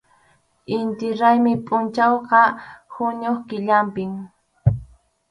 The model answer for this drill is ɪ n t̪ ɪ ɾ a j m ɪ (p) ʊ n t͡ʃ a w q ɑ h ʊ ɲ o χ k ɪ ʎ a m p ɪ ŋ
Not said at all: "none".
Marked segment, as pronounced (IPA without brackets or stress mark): pʼ